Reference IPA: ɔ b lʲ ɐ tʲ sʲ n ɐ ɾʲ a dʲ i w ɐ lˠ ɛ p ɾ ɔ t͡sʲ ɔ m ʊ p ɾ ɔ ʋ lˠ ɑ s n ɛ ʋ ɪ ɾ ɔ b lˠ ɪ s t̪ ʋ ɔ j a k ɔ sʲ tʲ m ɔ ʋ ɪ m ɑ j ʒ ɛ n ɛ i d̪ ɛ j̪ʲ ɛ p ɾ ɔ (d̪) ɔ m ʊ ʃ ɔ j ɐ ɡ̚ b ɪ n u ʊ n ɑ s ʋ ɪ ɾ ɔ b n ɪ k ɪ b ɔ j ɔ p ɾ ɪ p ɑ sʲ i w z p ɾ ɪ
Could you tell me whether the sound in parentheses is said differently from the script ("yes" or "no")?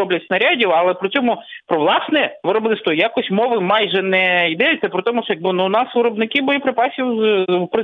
yes